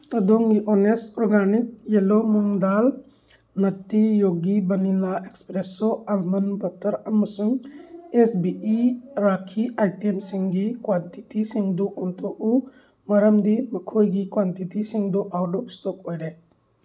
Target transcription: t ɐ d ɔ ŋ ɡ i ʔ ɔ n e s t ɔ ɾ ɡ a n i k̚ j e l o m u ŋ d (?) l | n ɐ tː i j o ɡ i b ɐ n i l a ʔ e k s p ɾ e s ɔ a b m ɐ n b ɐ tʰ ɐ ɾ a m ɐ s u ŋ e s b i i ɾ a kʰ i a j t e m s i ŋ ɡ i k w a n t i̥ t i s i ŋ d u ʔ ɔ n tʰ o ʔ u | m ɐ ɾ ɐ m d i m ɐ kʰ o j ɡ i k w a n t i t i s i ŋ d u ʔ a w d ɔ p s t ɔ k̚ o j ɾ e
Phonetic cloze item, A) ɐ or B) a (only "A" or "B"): B